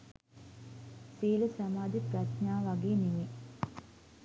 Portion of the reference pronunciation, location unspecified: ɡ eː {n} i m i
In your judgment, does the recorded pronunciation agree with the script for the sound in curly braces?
yes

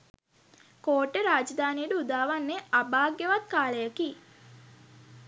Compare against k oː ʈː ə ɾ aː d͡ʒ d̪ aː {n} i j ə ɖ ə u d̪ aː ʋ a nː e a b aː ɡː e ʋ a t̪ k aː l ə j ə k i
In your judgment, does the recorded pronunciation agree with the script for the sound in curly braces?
yes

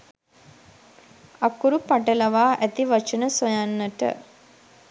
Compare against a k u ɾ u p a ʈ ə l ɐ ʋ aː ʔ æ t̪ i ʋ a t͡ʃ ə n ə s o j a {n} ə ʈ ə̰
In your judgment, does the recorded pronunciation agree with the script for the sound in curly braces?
no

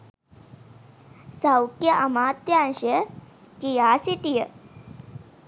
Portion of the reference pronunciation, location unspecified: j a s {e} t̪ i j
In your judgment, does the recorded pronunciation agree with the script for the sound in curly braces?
no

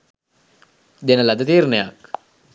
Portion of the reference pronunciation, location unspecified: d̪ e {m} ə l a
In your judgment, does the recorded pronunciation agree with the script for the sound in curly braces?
no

